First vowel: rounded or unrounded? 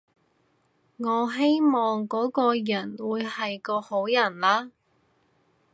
rounded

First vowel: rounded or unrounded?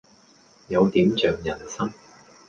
unrounded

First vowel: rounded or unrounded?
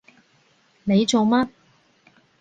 unrounded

